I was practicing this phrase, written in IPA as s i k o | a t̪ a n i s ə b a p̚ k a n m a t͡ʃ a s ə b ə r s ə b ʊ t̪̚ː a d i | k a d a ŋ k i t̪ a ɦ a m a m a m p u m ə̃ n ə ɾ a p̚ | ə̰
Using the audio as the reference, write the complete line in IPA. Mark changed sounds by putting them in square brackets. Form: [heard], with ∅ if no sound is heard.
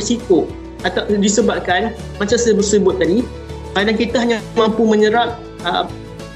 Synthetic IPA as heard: s i k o | a t̪ a [d] i s ə b a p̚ k a n m a t͡ʃ a s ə b ə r s ə b ʊ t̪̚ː a d i | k a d a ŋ k i t̪ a ɦ a [ɲ] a m a m p u m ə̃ [ɲ] ə ɾ a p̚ | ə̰